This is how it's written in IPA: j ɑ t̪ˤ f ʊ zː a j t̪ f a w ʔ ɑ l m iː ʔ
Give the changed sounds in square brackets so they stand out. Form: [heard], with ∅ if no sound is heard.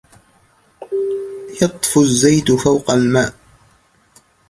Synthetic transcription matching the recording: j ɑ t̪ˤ f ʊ zː a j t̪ f a w [q] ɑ l m [aː] ʔ